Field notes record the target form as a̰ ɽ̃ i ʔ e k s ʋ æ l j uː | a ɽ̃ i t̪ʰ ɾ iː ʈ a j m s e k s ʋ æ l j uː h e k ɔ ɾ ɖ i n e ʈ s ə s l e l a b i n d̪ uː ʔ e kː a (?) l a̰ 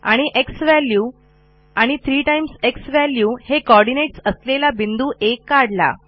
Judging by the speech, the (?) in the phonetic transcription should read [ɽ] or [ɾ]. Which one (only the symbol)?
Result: ɽ